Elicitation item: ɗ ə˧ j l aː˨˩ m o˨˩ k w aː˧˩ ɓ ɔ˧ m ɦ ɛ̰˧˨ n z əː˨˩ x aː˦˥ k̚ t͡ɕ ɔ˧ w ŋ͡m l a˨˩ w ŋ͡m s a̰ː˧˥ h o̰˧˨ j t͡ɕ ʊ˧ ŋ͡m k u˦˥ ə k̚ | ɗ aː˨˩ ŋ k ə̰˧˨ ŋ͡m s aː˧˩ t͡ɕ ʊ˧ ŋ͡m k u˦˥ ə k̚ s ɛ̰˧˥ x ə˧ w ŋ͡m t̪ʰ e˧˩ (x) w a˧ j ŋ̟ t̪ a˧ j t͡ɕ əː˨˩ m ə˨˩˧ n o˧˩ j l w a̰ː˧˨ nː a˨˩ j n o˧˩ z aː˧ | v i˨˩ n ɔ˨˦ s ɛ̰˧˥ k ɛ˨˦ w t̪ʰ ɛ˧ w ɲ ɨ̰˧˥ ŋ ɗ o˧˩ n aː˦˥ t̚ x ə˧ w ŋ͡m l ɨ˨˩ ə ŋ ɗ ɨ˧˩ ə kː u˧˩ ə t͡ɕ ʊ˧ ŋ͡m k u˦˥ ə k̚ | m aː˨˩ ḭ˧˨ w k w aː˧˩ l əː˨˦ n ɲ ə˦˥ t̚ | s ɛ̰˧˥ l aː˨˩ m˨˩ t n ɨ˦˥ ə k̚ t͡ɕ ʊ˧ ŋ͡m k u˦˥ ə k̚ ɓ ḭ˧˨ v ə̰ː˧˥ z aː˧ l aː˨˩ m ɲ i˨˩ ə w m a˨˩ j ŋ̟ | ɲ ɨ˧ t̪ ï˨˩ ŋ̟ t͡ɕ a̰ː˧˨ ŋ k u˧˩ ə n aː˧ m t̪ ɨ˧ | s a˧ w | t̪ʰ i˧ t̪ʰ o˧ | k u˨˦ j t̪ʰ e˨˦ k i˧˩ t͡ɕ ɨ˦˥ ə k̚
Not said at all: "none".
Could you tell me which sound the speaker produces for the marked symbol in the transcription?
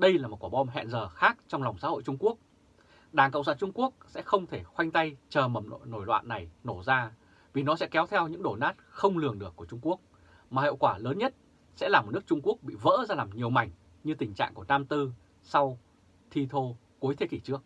x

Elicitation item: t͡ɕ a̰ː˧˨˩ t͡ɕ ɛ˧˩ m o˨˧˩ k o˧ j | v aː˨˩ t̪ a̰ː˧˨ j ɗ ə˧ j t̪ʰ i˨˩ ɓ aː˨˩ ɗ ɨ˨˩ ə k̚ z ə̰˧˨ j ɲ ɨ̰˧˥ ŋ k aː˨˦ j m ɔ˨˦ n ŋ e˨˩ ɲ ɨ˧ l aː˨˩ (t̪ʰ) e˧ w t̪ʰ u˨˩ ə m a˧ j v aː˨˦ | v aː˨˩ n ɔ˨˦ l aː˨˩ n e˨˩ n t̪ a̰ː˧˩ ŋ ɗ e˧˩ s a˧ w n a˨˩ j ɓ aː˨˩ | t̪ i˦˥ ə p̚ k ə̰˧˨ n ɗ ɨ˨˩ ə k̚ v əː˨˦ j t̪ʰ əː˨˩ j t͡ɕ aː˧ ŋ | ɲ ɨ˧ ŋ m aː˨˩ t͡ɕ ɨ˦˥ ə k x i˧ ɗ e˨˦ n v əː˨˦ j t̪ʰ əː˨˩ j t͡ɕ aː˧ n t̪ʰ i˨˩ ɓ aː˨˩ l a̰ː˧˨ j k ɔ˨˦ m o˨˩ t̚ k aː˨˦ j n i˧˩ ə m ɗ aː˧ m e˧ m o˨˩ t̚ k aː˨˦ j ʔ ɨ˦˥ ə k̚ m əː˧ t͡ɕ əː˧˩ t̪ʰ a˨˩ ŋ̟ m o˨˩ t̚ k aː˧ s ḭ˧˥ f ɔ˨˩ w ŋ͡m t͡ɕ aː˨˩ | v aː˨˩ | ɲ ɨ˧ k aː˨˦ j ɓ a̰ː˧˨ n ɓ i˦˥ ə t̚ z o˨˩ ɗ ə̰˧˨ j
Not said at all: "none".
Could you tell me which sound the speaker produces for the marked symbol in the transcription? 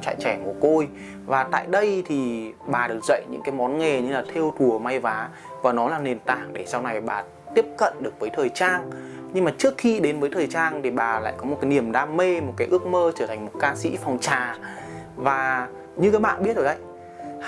t̪ʰ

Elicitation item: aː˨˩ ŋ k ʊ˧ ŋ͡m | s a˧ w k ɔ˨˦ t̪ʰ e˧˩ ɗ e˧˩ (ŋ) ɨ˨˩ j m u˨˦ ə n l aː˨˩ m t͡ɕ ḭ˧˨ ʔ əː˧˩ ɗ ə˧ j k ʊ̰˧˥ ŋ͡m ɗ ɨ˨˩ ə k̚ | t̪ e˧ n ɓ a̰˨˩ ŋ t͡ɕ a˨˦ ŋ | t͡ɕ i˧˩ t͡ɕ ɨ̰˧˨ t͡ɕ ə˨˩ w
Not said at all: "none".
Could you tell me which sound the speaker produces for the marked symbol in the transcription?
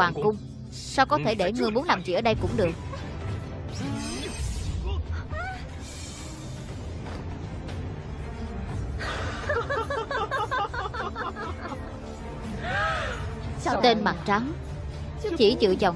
ŋ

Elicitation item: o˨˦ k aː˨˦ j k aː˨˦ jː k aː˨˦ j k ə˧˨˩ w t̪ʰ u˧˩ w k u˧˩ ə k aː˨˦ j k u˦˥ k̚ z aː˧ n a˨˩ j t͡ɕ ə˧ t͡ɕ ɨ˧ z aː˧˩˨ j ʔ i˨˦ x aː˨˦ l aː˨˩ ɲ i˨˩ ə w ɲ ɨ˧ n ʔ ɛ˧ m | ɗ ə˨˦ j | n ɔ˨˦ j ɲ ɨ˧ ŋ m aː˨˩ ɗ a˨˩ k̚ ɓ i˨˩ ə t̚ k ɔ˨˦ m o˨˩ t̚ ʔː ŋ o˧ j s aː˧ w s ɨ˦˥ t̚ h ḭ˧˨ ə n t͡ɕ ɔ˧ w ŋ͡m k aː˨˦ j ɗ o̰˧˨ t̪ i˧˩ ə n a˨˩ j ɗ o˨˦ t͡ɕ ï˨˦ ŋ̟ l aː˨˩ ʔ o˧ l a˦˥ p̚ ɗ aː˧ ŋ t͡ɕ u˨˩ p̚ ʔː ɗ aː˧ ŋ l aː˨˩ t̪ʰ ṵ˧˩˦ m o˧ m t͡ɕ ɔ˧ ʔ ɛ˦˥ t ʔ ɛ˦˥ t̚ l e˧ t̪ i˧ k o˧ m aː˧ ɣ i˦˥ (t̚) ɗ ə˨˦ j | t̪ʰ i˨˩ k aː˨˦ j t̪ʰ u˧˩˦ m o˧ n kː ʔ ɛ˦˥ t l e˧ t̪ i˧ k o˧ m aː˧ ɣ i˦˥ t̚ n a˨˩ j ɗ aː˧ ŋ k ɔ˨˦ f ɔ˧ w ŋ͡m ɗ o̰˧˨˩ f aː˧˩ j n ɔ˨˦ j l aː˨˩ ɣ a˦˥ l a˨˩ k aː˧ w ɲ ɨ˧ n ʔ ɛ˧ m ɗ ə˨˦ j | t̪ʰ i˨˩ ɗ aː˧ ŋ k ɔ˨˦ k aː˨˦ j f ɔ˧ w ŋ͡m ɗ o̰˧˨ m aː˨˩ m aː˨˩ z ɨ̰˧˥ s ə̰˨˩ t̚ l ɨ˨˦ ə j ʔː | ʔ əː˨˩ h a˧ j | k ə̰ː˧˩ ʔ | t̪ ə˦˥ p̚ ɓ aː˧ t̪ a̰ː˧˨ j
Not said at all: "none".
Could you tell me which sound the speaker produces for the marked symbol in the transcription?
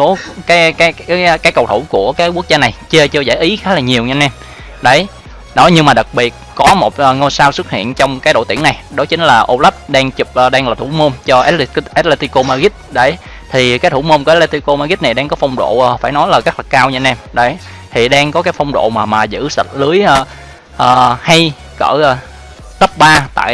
t̚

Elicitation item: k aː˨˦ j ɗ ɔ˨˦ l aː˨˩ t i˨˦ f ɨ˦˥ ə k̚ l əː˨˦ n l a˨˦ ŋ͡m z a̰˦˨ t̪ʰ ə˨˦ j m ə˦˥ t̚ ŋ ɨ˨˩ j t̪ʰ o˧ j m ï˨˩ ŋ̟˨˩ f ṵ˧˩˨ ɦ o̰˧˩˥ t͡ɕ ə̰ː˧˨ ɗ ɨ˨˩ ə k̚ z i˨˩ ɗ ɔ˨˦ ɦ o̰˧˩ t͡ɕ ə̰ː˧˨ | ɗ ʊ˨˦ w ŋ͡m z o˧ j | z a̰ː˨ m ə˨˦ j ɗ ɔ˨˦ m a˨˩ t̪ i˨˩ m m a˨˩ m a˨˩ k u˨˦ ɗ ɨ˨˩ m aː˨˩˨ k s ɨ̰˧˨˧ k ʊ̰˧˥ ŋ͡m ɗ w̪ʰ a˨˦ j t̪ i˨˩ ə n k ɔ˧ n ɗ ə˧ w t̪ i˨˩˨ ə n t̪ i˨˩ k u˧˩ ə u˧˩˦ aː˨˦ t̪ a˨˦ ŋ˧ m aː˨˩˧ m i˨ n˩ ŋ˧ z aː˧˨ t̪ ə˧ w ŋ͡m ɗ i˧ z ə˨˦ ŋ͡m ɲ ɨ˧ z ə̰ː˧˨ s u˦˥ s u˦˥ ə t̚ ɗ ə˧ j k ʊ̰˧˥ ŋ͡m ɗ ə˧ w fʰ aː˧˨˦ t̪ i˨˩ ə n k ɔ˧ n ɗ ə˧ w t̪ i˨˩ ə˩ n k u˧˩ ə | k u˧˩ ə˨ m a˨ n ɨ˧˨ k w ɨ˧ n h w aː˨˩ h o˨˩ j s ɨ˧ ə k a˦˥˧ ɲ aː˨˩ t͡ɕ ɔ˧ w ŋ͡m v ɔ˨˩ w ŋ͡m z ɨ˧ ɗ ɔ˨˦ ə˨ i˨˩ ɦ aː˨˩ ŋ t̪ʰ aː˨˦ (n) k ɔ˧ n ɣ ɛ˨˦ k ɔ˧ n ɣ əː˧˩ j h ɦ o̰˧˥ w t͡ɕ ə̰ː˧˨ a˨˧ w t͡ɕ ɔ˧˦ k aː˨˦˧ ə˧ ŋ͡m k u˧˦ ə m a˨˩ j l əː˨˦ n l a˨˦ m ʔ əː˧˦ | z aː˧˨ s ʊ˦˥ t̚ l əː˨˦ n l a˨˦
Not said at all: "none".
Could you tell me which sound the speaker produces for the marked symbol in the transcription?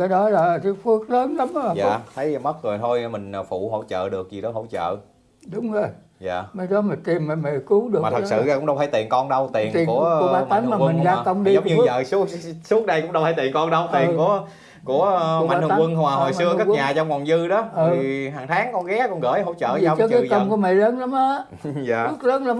ŋ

